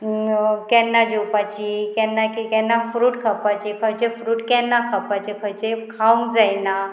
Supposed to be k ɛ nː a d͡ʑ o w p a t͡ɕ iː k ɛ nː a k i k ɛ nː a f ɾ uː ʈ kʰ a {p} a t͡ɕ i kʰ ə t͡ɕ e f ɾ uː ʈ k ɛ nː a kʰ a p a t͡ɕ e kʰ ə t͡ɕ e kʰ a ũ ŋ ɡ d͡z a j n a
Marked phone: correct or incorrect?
correct